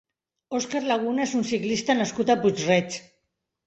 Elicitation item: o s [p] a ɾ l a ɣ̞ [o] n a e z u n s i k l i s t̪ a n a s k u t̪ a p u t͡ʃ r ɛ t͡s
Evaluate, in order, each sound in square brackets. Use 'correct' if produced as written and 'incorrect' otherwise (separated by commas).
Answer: incorrect, incorrect